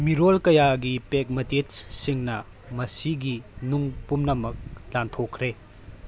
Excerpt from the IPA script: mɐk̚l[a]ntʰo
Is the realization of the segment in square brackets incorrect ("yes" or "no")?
no